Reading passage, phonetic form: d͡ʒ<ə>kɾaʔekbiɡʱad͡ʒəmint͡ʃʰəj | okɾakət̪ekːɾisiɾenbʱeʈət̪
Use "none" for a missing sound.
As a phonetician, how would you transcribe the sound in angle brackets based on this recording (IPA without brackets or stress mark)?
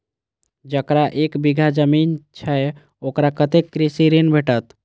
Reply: ə